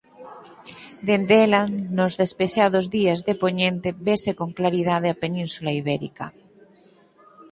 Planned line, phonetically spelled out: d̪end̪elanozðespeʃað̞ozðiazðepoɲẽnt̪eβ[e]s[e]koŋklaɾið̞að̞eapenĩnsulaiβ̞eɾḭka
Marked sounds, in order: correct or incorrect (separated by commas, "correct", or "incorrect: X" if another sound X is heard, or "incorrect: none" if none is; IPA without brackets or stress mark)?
correct, correct